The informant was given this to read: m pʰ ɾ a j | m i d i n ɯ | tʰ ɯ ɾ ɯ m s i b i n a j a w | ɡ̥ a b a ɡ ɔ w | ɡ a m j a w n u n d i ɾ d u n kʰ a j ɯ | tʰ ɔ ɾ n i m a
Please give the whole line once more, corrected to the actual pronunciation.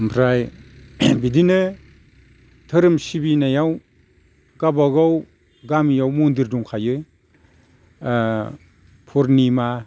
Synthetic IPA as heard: m pʰ ɾ a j | b i d i n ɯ | tʰ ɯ ɾ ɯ m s i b i n a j a w | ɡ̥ a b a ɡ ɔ w | ɡ a m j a w m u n d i ɾ d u ŋ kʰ a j ɯ | pʰ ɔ ɾ n i m a